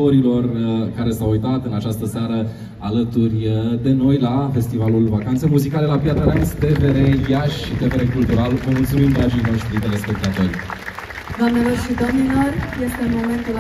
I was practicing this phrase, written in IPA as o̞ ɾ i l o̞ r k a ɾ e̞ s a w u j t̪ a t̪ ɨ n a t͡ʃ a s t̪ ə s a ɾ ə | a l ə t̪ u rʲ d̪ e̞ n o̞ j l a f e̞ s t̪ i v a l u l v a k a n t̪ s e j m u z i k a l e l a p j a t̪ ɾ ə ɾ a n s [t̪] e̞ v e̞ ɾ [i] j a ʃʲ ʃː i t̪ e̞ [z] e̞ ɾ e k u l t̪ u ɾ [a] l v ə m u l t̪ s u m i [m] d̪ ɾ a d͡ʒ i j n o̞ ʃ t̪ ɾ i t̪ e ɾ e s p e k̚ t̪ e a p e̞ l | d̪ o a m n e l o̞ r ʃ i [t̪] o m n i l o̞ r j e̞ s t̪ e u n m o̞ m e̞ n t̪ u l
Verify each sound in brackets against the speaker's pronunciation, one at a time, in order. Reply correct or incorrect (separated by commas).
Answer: correct, incorrect, incorrect, correct, correct, incorrect